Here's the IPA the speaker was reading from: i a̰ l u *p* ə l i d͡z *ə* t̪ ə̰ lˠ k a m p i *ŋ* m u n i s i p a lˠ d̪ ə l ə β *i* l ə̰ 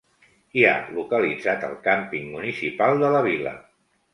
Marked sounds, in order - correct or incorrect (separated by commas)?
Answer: incorrect, incorrect, correct, correct